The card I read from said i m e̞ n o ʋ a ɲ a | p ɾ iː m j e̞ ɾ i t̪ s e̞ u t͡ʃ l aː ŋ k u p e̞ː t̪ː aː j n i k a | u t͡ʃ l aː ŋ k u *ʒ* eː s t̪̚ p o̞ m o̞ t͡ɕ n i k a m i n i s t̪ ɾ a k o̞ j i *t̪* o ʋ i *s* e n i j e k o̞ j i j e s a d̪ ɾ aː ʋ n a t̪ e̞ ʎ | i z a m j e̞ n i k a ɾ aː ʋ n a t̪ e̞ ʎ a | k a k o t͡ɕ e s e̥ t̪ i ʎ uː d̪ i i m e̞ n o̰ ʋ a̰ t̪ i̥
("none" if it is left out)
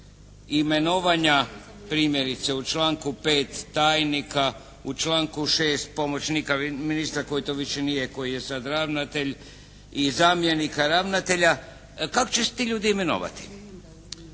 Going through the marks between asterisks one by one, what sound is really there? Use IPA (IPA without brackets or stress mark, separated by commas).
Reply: ʃ, t̪, ʃ